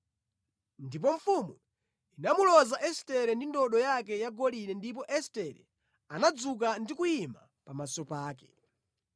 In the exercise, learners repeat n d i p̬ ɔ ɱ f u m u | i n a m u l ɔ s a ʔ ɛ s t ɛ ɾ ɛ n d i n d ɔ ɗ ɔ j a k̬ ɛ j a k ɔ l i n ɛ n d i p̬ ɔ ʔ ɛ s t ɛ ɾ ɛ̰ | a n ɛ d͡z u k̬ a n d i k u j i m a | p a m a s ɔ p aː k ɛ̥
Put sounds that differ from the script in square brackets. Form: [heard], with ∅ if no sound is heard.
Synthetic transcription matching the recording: n d i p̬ ɔ ɱ f u m u | i n a m u l ɔ [z] a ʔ ɛ s t ɛ ɾ ɛ n d i n d ɔ ɗ ɔ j a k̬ ɛ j a [ɡ] ɔ l i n ɛ n d i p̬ ɔ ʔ ɛ s t ɛ ɾ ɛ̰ | a n [a] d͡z u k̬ a n d i k u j i m a | p a m a s ɔ p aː k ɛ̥